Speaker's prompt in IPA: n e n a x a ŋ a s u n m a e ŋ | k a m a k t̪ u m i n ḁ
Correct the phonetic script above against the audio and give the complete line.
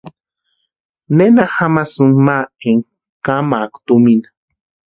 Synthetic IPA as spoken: n e n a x a m a s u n m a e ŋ | k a m a k t̪ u m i n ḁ